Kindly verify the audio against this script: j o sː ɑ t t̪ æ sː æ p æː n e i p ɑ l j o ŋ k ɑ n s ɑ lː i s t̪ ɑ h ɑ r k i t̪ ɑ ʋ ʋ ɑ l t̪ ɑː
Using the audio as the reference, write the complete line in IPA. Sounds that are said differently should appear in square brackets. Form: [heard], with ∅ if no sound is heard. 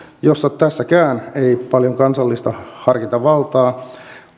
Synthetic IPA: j o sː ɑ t t̪ æ sː æ [k] æː n e i p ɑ l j o ŋ k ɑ n s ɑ lː i s t̪ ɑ h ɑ r k i t̪ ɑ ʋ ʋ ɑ l t̪ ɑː